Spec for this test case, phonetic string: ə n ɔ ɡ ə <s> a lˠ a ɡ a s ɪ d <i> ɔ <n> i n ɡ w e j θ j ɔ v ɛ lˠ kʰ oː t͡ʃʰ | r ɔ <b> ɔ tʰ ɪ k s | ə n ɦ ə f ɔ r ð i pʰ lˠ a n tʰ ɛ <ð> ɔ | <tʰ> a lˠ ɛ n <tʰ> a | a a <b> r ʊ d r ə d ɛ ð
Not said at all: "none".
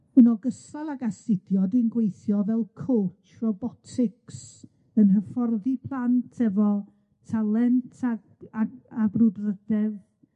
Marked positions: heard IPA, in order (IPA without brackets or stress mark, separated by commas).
s, j, d, b, v, tʰ, tʰ, b